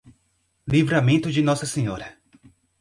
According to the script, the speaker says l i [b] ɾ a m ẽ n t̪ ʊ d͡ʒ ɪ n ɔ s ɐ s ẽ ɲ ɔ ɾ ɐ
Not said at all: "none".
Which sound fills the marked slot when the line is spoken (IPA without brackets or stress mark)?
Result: v